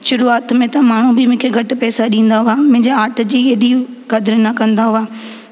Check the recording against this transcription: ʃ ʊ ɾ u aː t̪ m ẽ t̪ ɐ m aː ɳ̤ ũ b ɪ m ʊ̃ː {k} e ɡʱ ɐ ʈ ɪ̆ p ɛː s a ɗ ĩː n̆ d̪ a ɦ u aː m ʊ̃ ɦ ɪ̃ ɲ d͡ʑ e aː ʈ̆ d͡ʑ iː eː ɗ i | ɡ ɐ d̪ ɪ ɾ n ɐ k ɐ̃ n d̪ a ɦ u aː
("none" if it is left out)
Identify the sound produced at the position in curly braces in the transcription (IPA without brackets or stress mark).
kʰ